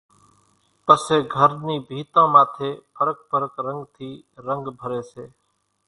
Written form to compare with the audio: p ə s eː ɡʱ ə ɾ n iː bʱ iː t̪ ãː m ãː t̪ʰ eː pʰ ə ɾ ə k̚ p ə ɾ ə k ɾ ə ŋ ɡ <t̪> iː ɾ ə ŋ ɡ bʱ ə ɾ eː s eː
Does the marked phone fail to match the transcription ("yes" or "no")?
yes